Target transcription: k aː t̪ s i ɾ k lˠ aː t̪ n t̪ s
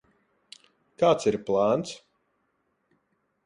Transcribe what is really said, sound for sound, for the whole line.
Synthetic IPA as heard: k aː t̪ s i ɾ p lˠ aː n t̪ s